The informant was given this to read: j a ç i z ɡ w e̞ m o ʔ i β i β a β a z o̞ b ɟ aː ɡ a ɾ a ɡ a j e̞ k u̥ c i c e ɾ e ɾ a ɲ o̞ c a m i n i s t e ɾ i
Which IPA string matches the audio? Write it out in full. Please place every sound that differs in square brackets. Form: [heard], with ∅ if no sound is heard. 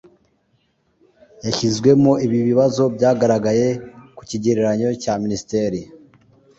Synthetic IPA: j a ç i z ɡ w e̞ m o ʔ i β i β [i] β a z o̞ b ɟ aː ɡ a ɾ a ɡ a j e̞ k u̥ c i [ɟ] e ɾ e ɾ a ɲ o̞ c a m i n i s t e ɾ i

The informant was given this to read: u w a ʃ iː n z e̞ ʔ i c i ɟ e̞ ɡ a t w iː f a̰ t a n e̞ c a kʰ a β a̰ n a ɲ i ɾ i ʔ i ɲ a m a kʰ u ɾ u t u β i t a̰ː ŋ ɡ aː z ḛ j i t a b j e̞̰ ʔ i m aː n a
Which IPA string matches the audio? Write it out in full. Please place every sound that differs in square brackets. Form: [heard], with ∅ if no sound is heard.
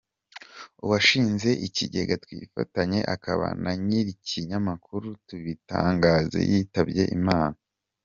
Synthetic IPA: u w a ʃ iː n z e̞ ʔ i c i ɟ e̞ ɡ a t w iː f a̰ t a [ɲ] e̞ [ʔ] a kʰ a β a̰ n a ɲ i ɾ i [c] i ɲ a m a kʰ u ɾ u t u β i t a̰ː ŋ ɡ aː z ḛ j i t a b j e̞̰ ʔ i m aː n a

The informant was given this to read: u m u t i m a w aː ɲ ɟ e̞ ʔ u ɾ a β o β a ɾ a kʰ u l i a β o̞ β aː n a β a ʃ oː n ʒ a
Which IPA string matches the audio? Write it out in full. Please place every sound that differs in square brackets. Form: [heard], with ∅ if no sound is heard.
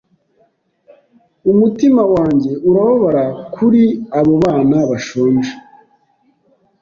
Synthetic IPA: u m u t i m a w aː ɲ ɟ e̞ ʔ u ɾ a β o β a ɾ a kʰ u [ɾ] i a β o̞ β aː n a β a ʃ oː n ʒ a

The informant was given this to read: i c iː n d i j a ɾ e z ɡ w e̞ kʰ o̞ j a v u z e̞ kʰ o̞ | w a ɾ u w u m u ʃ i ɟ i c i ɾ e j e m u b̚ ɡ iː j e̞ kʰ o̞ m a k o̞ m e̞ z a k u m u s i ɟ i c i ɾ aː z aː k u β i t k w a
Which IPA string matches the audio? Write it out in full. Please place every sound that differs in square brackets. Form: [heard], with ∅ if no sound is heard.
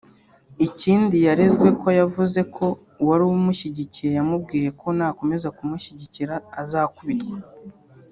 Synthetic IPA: i c iː n d i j a ɾ e z ɡ w e̞ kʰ o̞ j a v u z e̞ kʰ o̞ | w a ɾ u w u m u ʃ i ɟ i c i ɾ e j [a] m u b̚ ɡ iː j e̞ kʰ o̞ [n] a k o̞ m e̞ z a k u m u [ʃ] i ɟ i c i ɾ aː z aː k u β i t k w a

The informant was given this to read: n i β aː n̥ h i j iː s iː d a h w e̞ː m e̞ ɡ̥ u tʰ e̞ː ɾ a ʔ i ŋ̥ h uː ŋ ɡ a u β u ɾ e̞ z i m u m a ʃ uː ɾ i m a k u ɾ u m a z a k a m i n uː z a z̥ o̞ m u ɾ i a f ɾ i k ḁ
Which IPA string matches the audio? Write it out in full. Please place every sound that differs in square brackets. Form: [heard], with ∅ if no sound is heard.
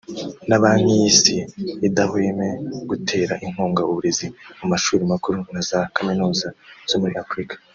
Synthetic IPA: n [a] β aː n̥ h i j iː s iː d a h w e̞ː m e̞ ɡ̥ u tʰ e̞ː ɾ a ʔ i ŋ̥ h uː ŋ ɡ a u β u ɾ e̞ z i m u m a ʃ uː ɾ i m a k u ɾ u [n] a z a k a m i n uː z a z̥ o̞ m u ɾ i a f ɾ i k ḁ

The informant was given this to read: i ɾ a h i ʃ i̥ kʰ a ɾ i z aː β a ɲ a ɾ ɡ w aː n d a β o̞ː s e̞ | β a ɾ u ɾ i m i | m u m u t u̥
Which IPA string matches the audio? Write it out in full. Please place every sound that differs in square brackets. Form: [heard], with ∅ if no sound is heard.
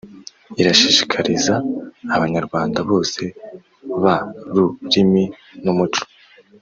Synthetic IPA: i ɾ a [ʃ] i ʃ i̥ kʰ a ɾ i z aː β a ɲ a ɾ ɡ w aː n d a β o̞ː s e̞ | β a ɾ u ɾ i m i | [n] u m u [t͡ʃ] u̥

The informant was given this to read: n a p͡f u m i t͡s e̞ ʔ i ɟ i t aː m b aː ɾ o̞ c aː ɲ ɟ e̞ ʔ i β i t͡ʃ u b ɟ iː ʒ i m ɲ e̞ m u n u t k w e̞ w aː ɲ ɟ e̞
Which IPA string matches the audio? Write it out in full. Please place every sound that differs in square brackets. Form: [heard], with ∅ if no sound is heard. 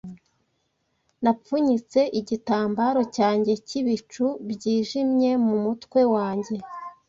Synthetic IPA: n a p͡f u [ɲ] i t͡s e̞ ʔ i ɟ i t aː m b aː ɾ o̞ c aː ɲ ɟ e̞ [c] i β i t͡ʃ u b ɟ iː ʒ i m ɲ e̞ m u [m] u t k w e̞ w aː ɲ ɟ e̞

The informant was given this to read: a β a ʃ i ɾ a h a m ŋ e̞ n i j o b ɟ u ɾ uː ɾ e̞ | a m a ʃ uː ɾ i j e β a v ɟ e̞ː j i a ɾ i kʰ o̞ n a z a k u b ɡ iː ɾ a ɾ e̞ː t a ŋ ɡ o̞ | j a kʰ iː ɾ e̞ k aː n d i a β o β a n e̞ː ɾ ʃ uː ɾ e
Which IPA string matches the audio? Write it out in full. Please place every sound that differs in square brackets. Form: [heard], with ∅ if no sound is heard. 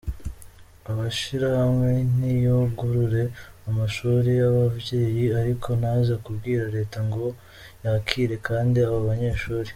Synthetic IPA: a β a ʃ i ɾ a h a m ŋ e̞ n i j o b [ɡ] u ɾ [u] ɾ e̞ | a m a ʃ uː ɾ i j [a] β a v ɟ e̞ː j i a ɾ i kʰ o̞ n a z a k u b ɡ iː ɾ a ɾ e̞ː t a ŋ ɡ o̞ | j a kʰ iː ɾ e̞ k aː n d i a β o β a [ɲ] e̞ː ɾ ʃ uː ɾ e

